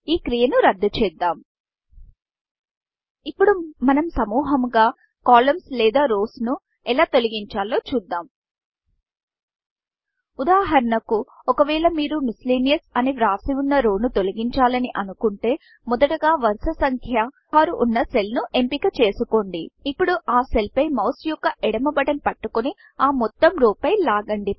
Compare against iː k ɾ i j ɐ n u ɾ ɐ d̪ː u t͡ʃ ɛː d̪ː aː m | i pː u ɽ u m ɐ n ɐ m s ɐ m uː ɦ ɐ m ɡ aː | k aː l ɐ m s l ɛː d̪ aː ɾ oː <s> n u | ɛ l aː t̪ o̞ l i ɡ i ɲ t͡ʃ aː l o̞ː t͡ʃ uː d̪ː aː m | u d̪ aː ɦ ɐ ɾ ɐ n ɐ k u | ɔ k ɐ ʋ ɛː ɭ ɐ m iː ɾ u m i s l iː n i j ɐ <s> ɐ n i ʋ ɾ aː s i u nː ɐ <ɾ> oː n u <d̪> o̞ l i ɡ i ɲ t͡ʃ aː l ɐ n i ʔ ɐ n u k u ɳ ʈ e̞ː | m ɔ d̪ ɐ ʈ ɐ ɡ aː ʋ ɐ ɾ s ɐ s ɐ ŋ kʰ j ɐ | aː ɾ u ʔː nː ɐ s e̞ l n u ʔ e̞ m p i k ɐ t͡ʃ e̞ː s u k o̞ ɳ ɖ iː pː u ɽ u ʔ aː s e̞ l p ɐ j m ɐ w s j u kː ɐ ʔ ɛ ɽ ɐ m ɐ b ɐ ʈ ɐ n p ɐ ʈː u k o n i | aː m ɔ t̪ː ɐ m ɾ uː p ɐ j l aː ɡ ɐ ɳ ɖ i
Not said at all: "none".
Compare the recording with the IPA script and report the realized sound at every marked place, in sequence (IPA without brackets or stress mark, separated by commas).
s, s, ɾ, t̪